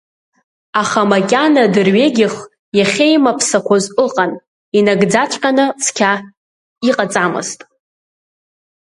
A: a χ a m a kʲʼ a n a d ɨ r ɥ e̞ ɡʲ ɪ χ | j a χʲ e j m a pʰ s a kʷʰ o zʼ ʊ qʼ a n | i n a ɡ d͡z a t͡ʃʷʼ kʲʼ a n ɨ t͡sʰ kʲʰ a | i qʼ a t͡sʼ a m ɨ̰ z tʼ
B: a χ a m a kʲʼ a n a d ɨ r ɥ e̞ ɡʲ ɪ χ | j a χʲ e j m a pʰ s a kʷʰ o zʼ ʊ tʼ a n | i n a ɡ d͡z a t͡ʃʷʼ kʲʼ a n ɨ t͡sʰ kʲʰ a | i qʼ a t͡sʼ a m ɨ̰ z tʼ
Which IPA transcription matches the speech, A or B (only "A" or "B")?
A